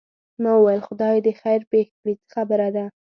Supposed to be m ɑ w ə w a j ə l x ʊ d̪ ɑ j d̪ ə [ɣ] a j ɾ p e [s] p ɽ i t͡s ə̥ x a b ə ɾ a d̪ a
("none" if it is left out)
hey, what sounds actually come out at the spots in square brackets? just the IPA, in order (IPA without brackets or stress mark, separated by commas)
x, x